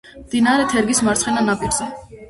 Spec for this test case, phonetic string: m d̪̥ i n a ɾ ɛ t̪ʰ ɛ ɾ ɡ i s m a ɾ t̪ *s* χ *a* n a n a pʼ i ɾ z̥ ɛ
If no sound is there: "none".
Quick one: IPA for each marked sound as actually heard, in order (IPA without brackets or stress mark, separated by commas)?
s, ɛ